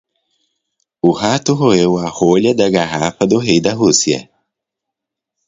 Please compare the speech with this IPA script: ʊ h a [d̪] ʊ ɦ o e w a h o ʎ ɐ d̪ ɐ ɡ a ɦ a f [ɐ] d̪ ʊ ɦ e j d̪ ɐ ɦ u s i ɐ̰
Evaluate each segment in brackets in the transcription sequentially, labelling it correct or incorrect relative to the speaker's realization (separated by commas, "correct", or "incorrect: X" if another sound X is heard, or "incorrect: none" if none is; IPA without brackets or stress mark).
incorrect: t̪, correct